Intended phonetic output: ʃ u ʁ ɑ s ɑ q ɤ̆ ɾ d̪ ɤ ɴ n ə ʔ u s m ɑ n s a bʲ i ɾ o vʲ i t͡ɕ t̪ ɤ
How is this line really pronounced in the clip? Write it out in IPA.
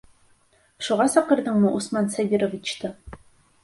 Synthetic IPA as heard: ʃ u ʁ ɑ s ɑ q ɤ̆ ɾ d̪ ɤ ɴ m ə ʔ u s m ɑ n s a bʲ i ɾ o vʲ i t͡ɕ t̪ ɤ